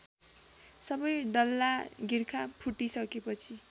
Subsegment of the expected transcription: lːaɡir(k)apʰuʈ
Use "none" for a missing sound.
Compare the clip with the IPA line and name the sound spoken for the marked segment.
kʰ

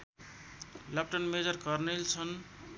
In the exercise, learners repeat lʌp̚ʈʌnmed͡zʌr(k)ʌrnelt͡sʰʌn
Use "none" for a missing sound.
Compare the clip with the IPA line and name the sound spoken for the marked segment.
k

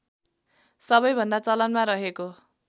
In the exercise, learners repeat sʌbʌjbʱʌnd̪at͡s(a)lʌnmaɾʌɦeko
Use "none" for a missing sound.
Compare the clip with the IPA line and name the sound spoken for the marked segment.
ʌ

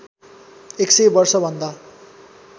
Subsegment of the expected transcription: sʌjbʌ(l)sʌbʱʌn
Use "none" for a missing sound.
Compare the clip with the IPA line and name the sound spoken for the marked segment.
r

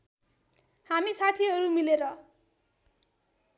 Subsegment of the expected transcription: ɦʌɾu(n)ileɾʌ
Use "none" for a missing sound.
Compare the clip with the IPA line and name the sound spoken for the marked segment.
m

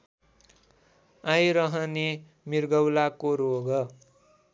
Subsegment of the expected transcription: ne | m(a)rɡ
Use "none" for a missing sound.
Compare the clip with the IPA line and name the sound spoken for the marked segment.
i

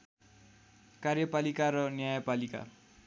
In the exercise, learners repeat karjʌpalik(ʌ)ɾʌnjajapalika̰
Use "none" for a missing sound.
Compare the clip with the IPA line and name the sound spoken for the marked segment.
a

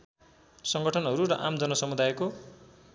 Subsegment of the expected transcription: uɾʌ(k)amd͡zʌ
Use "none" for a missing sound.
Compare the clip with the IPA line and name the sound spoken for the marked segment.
ʔ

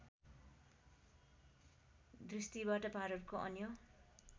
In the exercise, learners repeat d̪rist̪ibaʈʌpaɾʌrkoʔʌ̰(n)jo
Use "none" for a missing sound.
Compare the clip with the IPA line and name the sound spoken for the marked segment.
n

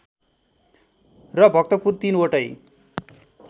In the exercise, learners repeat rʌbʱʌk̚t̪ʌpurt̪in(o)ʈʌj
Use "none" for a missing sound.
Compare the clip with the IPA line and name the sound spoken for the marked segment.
o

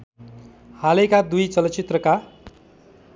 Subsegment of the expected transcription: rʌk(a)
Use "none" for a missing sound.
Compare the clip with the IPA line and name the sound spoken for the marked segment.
a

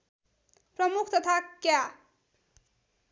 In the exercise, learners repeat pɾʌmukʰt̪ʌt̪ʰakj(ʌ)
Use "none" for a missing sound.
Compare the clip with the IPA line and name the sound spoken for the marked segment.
a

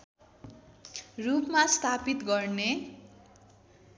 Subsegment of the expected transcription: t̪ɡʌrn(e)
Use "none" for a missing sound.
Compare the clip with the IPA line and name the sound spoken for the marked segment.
e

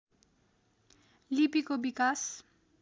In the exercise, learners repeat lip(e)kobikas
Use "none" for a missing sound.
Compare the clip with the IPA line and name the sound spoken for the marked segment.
i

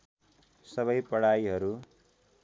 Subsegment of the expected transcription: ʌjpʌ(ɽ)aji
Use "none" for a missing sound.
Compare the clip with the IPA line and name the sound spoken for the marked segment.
ɽ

